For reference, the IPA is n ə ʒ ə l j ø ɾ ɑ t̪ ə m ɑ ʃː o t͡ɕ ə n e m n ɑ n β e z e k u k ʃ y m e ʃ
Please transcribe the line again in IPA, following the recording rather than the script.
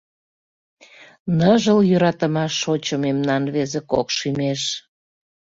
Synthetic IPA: n ə ʒ ə l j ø ɾ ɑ t̪ ə m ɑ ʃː o t͡ɕ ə m e m n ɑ n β e z e k o k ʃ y m e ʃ